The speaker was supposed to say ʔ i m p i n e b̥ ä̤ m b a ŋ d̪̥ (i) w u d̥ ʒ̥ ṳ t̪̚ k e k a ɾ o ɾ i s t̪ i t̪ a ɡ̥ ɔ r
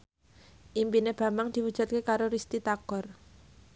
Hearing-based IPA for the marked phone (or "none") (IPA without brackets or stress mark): i